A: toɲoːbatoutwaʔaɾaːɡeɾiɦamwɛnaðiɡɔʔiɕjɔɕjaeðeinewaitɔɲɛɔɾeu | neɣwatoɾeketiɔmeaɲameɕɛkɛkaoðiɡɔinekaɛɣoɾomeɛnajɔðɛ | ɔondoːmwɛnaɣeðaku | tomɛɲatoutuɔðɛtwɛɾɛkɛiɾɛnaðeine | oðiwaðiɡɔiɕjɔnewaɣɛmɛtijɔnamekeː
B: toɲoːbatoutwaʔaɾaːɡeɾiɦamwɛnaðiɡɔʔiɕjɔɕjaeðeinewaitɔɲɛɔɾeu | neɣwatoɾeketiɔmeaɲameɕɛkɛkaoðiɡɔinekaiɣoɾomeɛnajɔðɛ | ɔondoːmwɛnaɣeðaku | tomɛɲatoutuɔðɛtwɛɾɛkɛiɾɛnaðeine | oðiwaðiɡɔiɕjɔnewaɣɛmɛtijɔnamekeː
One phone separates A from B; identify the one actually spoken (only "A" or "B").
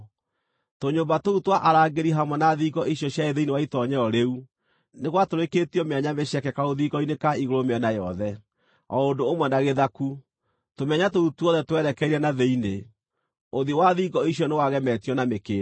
B